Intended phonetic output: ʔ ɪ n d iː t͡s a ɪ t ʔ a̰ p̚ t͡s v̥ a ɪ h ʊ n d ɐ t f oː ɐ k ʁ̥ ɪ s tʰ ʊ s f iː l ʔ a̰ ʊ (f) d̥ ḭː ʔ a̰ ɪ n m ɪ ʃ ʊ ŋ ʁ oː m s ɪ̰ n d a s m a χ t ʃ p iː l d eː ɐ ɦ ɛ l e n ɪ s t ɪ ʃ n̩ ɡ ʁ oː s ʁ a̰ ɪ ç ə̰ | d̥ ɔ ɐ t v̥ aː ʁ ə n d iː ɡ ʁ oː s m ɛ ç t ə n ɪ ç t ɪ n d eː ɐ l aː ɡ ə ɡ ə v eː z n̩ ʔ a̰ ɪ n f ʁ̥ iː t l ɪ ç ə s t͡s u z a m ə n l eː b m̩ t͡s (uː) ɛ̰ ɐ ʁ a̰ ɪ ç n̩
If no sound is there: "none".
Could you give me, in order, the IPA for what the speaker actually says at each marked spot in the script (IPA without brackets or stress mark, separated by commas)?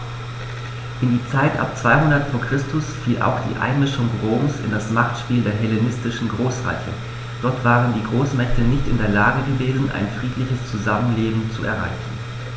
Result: x, u